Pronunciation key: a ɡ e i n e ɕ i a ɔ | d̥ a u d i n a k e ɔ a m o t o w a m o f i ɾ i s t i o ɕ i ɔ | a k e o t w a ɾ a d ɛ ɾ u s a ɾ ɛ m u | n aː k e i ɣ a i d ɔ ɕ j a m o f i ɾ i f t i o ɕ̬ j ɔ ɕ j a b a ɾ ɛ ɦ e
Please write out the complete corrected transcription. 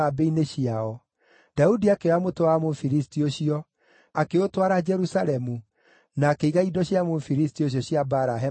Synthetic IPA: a b e i n e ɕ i a ɔ | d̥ a u d i a k e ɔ a m o t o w a m o f i ɾ i s t i o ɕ i ɔ | a k e o t w a ɾ a d͡ʒ ɛ ɾ u s a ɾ ɛ m u | n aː k e i ɣ a i d ɔ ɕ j a m o f i ɾ i s t i o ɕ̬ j ɔ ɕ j a b a ɾ a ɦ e